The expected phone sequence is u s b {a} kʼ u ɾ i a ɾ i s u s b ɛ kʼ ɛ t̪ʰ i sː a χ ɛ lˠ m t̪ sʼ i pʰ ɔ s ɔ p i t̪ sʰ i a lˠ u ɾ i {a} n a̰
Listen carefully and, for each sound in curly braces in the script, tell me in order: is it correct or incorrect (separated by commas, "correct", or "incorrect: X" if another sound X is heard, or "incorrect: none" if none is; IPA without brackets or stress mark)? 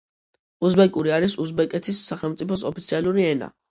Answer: incorrect: ɛ, incorrect: ɛ